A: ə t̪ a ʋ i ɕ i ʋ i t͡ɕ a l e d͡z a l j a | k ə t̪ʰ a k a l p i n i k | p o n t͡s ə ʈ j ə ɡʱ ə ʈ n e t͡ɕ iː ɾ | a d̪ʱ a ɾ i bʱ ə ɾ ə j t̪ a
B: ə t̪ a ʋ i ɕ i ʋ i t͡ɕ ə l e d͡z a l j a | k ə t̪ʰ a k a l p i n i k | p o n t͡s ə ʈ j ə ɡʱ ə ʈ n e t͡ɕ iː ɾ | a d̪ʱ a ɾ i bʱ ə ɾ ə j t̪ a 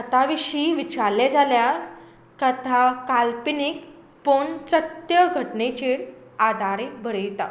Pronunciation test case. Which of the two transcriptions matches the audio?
A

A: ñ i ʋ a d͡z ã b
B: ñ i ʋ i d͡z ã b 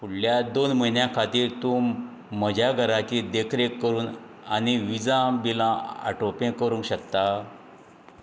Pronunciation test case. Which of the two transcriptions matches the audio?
B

